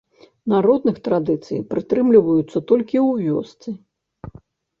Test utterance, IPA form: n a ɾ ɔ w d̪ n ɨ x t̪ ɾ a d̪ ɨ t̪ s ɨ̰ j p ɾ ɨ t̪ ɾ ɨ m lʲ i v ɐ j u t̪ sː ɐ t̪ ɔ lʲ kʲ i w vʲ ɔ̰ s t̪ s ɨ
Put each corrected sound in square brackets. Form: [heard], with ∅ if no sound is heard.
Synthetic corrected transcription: n a ɾ ɔ [∅] d̪ n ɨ x t̪ ɾ a d̪ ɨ t̪ s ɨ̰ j p ɾ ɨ t̪ ɾ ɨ m lʲ i v ɐ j u t̪ sː ɐ t̪ ɔ lʲ kʲ i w vʲ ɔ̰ s t̪ s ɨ

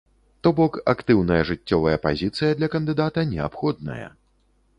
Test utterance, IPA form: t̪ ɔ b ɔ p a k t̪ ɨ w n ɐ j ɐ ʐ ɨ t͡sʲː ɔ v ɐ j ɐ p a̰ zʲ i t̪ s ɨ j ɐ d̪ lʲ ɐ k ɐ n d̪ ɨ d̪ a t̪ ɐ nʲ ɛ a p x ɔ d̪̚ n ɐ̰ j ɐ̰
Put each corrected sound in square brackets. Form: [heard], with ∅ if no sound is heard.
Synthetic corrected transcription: t̪ ɔ b ɔ [k] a k t̪ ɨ w n ɐ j ɐ ʐ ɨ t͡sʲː ɔ v ɐ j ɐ p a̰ zʲ i t̪ s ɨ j ɐ d̪ lʲ ɐ k ɐ n d̪ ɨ d̪ a t̪ ɐ nʲ ɛ a p x ɔ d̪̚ n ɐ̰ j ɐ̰

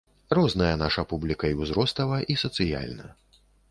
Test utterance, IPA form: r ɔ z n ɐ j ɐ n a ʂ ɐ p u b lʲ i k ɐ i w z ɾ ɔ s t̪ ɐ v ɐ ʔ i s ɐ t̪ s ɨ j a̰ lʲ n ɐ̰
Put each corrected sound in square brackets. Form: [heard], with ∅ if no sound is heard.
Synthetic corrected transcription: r ɔ z n ɐ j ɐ n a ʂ ɐ p u b lʲ i k ɐ i w z ɾ ɔ s t̪ ɐ v ɐ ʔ i s ɐ t̪ s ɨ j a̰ lʲ n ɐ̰

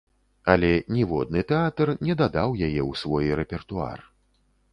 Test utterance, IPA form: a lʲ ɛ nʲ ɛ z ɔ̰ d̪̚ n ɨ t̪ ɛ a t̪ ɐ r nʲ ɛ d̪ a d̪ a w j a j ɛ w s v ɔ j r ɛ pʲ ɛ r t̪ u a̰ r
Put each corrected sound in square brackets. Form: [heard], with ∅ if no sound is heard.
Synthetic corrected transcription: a lʲ ɛ nʲ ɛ [v] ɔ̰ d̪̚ n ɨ t̪ ɛ a t̪ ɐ r nʲ ɛ d̪ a d̪ a w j a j ɛ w s v ɔ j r ɛ pʲ ɛ r t̪ u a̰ r

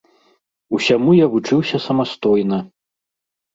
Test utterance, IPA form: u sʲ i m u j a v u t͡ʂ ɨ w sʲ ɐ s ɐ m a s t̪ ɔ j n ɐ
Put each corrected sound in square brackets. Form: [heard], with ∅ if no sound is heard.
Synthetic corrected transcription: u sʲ [a] m u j a v u t͡ʂ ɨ w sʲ ɐ s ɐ m a s t̪ ɔ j n ɐ

